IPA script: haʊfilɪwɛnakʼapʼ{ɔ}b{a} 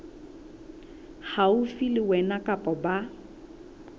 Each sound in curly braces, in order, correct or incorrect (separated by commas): correct, correct